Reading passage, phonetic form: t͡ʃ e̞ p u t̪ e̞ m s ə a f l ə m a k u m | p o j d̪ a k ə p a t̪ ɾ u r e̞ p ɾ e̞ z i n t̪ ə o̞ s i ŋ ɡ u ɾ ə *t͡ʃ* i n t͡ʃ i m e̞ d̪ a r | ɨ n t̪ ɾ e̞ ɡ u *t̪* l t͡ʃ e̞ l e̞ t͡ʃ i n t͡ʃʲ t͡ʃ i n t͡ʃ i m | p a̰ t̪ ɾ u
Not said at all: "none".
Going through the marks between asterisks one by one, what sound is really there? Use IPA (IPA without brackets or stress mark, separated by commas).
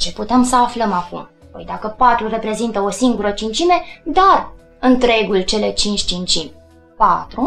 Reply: t͡ʃ, none